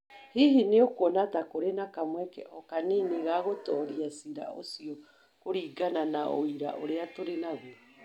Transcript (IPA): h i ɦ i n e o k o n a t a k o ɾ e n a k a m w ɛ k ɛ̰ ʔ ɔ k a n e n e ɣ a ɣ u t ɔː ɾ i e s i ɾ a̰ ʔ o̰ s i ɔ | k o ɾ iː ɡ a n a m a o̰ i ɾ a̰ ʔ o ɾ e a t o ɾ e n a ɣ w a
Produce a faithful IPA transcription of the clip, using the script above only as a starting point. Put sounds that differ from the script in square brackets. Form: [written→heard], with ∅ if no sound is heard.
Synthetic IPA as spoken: h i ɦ i n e o k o n a t a k o ɾ e n a k a m w ɛ k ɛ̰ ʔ ɔ k a n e n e ɣ a ɣ [u→o] t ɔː ɾ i [e→a] s i ɾ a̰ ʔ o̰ s i ɔ | k o ɾ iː ɡ a n a [m→n] a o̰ i ɾ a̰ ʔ o ɾ e a t o ɾ e n a ɣ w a